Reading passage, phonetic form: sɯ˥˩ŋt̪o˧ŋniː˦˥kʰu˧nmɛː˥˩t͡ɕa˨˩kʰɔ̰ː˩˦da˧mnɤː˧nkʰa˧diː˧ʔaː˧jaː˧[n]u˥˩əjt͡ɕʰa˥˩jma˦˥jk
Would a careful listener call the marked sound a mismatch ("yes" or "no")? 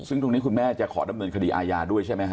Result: yes